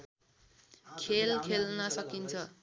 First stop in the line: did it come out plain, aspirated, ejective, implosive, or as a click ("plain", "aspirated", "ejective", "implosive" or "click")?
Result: aspirated